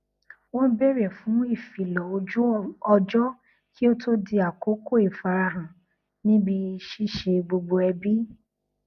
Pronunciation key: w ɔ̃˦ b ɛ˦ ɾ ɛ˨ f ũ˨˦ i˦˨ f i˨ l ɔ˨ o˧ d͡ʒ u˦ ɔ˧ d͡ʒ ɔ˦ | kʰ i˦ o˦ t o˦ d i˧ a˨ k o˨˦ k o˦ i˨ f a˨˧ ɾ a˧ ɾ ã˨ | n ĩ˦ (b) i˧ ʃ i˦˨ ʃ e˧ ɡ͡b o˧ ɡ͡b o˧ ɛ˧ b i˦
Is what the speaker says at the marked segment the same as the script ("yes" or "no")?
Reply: yes